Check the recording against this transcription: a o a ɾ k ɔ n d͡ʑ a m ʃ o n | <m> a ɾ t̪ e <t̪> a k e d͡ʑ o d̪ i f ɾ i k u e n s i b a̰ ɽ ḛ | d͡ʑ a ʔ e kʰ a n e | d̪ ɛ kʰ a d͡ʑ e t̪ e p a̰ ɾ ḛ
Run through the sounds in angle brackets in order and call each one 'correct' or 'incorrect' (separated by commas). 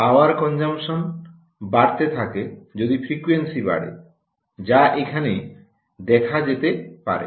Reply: incorrect, incorrect